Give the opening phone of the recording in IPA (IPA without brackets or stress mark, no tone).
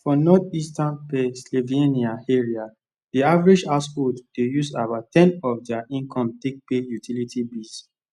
f